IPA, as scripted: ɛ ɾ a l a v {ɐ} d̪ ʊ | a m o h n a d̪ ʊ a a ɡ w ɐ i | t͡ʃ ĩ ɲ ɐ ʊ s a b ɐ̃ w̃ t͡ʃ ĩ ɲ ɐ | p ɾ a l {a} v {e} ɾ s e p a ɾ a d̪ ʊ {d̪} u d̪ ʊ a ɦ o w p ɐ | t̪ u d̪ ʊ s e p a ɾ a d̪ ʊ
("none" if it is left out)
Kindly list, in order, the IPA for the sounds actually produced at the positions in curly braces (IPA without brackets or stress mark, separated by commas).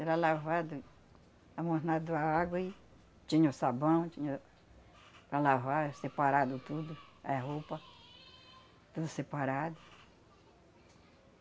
a, a, a, t̪